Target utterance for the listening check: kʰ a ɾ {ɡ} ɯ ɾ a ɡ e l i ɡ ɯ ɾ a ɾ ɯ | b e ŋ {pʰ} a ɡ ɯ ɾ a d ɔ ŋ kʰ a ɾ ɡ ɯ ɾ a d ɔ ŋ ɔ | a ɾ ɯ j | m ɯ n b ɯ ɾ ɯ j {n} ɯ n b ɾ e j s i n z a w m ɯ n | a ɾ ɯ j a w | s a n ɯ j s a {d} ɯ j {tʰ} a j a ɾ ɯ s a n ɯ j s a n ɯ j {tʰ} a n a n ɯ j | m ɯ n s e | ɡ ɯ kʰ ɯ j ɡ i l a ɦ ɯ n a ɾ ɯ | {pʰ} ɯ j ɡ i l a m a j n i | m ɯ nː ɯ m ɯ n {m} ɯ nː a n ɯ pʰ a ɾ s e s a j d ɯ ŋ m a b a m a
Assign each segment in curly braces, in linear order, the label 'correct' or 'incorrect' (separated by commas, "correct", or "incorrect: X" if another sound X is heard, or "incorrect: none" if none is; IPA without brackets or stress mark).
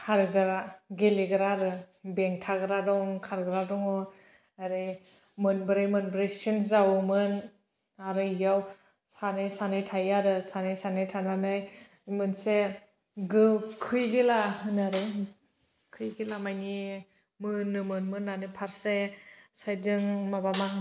correct, incorrect: tʰ, incorrect: m, incorrect: n, correct, correct, incorrect: kʰ, correct